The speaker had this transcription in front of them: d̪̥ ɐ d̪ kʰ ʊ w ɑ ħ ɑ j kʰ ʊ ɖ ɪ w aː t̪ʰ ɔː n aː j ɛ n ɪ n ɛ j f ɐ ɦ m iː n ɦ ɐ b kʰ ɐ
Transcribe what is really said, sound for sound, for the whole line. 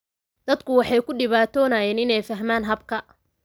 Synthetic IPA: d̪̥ ɐ d̪ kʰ ʊ w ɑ ħ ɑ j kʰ ʊ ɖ ɪ β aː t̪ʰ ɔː n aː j ɛː n ɪ n ɛ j f ɐ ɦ m aː n ɦ ɐ b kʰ ɐ